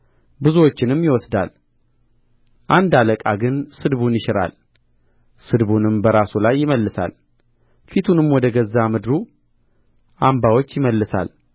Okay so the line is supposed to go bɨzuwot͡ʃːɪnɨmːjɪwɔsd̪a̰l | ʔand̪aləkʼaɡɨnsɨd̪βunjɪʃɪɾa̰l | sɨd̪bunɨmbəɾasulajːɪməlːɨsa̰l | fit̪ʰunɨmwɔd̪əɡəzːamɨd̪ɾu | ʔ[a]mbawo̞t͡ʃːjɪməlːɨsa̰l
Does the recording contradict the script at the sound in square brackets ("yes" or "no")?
no